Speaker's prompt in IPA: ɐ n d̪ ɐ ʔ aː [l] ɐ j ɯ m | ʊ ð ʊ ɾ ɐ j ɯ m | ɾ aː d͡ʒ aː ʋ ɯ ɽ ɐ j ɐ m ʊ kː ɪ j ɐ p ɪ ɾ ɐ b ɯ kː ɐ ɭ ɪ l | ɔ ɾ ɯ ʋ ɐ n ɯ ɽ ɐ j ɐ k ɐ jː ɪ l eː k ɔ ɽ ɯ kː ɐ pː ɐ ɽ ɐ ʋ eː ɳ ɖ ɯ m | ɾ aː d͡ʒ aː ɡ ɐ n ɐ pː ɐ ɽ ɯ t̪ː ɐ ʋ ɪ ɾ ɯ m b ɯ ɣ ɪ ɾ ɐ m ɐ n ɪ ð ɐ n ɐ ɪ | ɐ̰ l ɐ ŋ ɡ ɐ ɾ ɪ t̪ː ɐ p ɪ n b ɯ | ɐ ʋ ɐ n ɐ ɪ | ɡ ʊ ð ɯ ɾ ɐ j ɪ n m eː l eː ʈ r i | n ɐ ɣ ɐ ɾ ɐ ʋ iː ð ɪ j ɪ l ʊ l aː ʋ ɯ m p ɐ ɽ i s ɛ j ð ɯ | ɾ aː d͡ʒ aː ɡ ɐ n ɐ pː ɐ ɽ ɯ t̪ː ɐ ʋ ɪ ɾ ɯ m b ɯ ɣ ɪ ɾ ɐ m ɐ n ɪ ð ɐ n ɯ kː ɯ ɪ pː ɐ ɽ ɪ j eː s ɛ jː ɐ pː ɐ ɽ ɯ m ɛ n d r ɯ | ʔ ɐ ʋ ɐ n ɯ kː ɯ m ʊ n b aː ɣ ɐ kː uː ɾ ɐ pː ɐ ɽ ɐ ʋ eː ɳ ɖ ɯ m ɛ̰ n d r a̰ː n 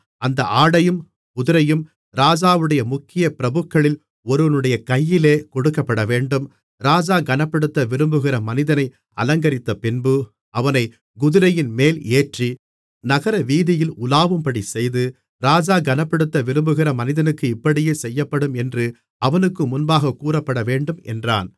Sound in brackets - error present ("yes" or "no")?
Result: yes